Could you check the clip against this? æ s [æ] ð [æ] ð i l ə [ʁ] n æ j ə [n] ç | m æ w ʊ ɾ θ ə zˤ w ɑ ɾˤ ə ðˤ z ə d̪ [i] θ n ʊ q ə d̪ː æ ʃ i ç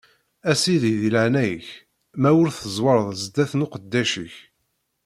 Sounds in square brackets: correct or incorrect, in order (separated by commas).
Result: incorrect, incorrect, incorrect, incorrect, incorrect